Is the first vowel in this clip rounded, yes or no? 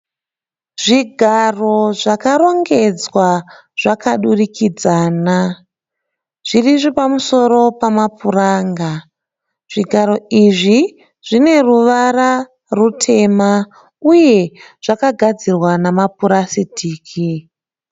no